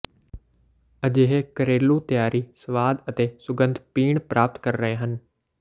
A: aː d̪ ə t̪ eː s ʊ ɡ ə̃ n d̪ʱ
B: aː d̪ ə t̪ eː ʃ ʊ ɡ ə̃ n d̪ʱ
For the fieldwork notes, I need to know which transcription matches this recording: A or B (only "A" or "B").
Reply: A